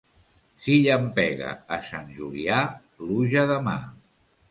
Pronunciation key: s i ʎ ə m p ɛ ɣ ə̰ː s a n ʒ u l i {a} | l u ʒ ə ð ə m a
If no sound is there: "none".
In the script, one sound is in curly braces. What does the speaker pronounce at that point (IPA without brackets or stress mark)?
a